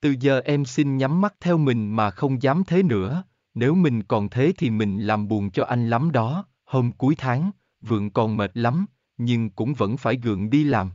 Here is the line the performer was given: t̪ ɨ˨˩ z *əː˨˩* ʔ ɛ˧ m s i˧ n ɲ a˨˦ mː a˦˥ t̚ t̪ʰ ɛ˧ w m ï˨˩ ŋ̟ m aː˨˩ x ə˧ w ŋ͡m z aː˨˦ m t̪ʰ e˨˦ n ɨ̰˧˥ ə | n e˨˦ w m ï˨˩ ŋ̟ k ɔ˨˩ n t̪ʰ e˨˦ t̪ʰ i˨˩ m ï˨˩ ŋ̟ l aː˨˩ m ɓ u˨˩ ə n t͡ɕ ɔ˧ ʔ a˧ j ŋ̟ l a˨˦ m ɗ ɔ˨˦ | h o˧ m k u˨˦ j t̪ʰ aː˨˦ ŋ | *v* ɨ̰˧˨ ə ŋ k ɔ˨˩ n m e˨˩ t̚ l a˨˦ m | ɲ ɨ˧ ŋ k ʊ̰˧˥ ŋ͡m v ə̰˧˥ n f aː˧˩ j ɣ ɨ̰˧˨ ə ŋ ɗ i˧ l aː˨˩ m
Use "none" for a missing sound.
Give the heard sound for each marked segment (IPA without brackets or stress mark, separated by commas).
əː˨˩, v